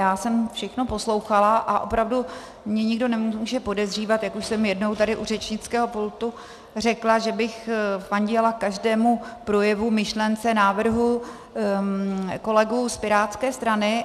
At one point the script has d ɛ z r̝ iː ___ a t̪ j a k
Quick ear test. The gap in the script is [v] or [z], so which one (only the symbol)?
v